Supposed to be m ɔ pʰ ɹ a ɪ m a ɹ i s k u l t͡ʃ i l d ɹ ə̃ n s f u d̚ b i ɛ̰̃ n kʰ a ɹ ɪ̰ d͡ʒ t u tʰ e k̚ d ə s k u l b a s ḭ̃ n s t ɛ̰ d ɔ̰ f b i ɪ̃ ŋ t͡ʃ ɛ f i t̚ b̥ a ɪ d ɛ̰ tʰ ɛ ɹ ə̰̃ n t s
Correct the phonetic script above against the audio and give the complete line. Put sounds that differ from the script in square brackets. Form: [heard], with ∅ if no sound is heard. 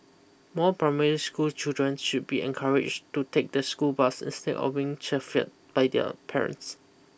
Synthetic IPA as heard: m ɔ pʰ ɹ a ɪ m [ɛ] ɹ i s k u l t͡ʃ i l d ɹ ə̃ n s [ʃ] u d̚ b i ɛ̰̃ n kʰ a ɹ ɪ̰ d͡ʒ t u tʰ e k̚ d ə s k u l b a s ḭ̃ n s t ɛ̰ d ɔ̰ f b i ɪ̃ ŋ t͡ʃ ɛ f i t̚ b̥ a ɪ d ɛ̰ [pʰ] ɛ ɹ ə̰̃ n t s